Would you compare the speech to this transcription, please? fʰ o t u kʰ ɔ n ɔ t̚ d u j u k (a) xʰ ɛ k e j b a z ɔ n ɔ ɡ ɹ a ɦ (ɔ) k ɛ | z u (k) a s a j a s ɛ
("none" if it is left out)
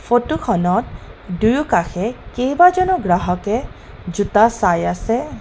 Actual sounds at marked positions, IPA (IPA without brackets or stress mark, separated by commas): a, ɔ, t